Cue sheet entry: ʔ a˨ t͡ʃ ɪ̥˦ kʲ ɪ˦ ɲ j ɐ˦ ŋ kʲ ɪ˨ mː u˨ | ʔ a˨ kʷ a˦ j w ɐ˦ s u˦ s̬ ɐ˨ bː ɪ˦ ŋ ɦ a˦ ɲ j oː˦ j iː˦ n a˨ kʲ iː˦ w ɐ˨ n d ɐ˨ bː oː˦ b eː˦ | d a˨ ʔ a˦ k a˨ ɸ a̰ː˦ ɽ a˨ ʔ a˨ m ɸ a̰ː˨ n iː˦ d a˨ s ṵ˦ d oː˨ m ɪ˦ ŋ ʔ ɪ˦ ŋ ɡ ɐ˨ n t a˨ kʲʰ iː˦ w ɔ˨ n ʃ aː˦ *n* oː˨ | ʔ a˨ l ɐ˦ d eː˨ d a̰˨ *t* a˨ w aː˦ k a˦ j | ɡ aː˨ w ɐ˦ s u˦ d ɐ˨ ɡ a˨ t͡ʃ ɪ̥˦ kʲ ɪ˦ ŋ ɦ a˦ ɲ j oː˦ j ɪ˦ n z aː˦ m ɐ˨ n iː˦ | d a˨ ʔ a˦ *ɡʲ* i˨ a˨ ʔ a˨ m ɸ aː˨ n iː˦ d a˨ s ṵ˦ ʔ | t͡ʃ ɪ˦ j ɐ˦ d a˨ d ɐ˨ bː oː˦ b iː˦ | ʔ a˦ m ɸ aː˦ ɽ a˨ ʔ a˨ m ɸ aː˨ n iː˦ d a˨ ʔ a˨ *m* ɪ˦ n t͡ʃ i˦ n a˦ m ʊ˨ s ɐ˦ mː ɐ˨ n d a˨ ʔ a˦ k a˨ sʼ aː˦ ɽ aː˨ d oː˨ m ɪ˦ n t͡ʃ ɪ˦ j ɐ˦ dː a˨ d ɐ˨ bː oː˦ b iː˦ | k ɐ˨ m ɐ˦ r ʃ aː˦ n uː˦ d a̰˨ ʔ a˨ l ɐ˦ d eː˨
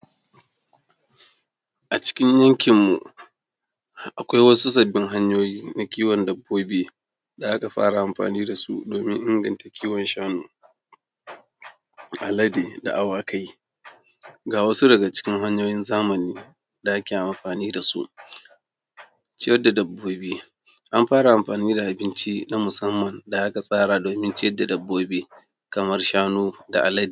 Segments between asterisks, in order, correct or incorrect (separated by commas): correct, incorrect, incorrect, incorrect